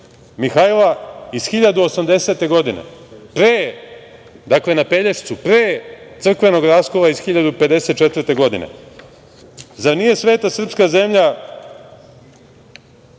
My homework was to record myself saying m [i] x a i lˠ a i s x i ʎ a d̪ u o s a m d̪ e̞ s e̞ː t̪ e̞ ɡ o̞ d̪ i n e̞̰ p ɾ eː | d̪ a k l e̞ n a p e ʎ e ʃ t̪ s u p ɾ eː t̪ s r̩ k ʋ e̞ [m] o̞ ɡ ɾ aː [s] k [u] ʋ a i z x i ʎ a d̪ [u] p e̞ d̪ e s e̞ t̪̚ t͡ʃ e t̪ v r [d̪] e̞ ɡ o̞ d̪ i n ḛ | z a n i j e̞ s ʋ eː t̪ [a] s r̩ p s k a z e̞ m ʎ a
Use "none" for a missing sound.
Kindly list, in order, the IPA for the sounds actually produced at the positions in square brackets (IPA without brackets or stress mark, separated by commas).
i, n, s, o, u, t̪, a